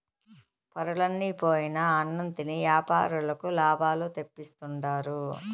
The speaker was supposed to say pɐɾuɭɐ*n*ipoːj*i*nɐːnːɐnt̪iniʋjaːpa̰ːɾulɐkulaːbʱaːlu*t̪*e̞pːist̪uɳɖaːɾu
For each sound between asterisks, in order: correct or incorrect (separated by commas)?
incorrect, correct, correct